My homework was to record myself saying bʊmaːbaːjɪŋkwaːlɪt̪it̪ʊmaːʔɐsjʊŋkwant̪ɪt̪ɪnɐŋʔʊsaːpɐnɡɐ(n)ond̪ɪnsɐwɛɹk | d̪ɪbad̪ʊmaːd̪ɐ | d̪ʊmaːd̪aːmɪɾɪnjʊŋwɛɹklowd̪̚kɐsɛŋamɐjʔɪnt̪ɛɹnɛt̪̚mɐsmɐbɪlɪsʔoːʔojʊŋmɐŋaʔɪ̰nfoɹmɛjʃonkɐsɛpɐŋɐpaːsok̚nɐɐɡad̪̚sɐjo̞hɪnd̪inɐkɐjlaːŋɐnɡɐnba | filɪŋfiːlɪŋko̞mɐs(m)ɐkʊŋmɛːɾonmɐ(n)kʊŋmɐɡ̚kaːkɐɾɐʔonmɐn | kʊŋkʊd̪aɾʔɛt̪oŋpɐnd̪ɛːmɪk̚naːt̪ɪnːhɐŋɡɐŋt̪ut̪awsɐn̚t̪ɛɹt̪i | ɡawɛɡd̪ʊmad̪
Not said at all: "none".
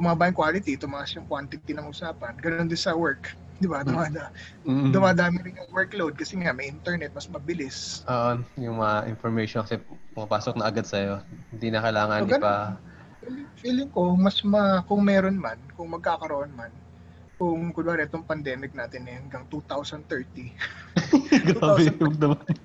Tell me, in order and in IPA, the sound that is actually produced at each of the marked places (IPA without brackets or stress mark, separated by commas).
n, m, n